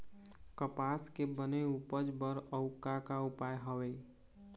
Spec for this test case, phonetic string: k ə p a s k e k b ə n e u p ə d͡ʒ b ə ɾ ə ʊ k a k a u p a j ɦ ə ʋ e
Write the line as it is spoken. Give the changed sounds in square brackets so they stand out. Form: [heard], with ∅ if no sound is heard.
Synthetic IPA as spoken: k ə p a s k e [∅] b ə n e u p ə d͡ʒ b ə ɾ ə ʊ k a k a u p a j ɦ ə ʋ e